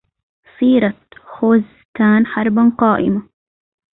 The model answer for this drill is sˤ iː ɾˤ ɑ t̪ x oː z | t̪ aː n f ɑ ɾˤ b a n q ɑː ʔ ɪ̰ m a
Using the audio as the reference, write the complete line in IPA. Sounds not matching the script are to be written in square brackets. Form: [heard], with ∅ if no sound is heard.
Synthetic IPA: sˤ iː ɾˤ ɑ t̪ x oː z | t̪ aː n [ħ] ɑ ɾˤ b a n q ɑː ʔ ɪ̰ m a